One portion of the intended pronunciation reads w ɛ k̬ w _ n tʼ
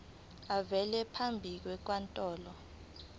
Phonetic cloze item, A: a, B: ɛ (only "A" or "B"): A